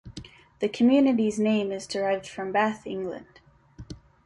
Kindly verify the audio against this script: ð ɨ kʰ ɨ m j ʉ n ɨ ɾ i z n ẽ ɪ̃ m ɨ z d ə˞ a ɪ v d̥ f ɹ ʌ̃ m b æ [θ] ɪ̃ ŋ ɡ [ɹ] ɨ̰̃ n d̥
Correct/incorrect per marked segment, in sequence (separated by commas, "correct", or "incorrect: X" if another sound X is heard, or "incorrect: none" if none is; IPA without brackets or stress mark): correct, incorrect: l